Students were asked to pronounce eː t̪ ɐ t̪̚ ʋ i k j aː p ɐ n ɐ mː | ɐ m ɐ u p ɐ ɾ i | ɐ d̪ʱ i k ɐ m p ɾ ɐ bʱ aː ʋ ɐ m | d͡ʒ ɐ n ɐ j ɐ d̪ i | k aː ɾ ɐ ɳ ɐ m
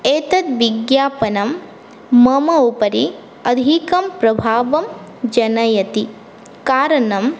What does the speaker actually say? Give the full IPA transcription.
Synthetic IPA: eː t̪ ɐ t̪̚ ʋ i ɡ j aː p ɐ n ɐ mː | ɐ m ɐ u p ɐ ɾ i | ɐ d̪ʱ i k ɐ m p ɾ ɐ bʱ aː ʋ ɐ m | d͡ʒ ɐ n ɐ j ɐ t̪ i | k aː ɾ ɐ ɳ ɐ m